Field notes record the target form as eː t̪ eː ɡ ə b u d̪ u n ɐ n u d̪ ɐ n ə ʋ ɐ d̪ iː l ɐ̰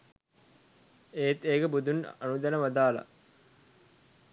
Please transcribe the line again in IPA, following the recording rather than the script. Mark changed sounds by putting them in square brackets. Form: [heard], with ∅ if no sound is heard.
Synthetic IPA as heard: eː t̪ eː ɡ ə b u d̪ u n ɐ n u d̪ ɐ n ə ʋ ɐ d̪ [aː] l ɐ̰